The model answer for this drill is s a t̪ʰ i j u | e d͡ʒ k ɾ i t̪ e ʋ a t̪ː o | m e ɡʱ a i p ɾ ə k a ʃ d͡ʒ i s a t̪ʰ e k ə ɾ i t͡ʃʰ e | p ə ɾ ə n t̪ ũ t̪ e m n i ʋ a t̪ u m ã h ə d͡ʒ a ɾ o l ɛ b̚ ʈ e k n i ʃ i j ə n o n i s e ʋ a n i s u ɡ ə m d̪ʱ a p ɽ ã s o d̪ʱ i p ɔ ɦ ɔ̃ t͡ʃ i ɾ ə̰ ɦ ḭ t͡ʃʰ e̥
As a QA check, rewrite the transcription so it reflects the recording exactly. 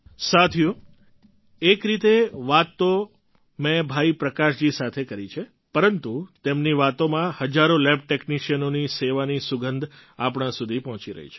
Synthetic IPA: s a t̪ʰ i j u | e k ɾ i t̪ e ʋ a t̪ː o | m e bʱ a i p ɾ ə k a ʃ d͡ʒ i s a t̪ʰ e k ə ɾ i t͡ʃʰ e | p ə ɾ ə n t̪ u t̪ e m n i ʋ a t̪ o m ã h ə d͡ʒ a ɾ o l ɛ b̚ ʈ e k n i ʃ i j ə n o n i s e ʋ a n i s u ɡ ə n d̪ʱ a p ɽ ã s u d̪ʱ i p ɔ ɦ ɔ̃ t͡ʃ i ɾ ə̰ ɦ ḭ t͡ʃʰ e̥